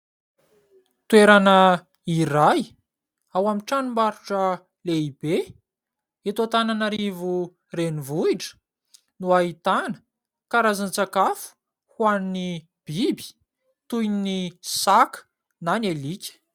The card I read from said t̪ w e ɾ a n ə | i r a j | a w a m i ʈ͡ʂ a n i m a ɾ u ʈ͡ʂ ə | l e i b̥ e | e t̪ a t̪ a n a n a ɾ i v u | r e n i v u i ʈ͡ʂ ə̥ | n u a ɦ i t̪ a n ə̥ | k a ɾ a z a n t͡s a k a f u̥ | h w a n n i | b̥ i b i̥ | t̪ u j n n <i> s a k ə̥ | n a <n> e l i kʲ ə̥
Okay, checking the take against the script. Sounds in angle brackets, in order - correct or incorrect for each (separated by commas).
correct, correct